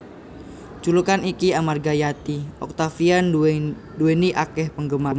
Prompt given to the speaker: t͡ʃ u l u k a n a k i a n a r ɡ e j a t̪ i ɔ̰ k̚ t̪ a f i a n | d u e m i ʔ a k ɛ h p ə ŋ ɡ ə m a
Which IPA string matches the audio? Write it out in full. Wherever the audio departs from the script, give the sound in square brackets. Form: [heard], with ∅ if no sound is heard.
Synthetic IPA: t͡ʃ u l u k a n [i] k i a [m] a r ɡ [a] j a t̪ i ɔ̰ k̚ t̪ a f i a n | d u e [n] i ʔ a k ɛ h p ə ŋ ɡ ə m a